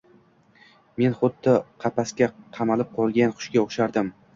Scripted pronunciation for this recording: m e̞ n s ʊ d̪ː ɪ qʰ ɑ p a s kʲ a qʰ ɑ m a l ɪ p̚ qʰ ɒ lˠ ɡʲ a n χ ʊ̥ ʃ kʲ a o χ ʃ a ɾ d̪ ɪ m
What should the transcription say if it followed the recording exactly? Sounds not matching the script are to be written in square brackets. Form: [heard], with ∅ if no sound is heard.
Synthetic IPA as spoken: m e̞ n [χ] ʊ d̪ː ɪ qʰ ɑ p a s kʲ a qʰ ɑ m a l ɪ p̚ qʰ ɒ lˠ ɡʲ a n χ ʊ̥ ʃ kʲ a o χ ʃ a ɾ d̪ ɪ m